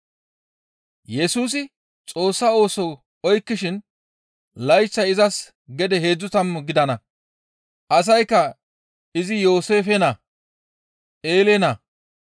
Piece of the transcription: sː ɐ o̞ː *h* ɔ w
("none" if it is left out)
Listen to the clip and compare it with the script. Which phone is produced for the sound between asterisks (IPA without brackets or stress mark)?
s